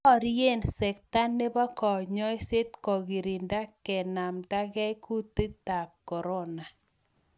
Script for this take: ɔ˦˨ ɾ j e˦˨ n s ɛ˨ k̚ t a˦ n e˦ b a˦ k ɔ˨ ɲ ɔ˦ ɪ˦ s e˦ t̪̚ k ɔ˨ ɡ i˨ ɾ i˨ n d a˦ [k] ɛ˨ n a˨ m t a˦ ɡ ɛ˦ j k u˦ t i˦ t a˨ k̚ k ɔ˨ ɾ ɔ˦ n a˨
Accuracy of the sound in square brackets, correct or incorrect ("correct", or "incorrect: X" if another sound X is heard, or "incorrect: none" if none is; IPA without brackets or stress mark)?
correct